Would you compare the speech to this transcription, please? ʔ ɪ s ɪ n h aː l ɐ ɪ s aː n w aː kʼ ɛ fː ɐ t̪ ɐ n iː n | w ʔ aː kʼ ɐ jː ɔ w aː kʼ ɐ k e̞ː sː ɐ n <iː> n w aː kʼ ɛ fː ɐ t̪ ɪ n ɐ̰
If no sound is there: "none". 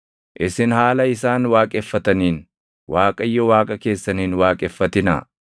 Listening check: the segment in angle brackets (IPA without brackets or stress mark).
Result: iː